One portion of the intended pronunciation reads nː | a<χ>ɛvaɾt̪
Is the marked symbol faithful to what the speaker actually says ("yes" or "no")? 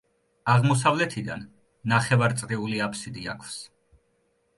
yes